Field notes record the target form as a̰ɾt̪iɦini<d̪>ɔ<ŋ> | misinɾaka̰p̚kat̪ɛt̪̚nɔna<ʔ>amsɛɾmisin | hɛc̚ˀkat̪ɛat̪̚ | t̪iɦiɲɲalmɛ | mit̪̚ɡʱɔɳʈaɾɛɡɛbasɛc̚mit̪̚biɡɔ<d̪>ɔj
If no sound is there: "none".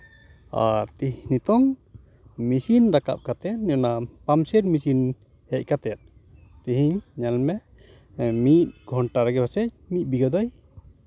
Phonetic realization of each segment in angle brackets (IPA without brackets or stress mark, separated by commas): t̪, ŋ, p, d̪